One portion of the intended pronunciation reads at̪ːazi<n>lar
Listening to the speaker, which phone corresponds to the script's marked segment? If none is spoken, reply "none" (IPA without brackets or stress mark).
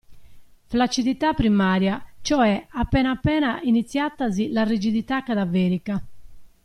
none